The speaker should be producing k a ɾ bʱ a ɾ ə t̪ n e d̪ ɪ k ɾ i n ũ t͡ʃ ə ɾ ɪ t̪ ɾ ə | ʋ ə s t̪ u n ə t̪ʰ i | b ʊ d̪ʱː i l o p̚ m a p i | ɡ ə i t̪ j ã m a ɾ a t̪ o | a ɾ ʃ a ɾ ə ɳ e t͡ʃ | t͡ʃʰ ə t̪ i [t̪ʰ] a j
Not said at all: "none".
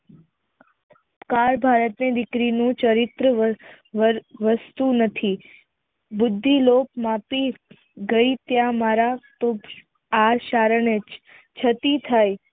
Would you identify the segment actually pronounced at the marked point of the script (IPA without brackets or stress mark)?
t̪ʰ